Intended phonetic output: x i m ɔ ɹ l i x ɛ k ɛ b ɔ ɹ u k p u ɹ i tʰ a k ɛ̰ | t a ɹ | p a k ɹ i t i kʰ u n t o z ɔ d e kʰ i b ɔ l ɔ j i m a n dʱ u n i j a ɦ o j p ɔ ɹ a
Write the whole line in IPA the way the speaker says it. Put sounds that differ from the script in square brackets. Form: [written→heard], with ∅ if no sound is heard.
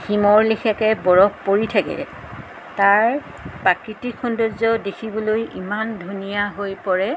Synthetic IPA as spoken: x i m ɔ ɹ l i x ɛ k ɛ b ɔ ɹ [u→ɔ] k p [u→o] ɹ i tʰ a k ɛ̰ | t a ɹ | p a k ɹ i t i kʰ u n [t→d] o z ɔ d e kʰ i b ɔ l [ɔ→o] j i m a n dʱ u n i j a ɦ o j p ɔ ɹ [a→ɛ]